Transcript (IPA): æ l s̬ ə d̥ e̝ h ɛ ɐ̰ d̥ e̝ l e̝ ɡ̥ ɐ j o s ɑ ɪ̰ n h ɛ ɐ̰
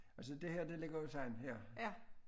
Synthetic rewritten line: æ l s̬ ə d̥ e̝ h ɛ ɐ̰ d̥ e̝ l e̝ ɡ̥ ɐ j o s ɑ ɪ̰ n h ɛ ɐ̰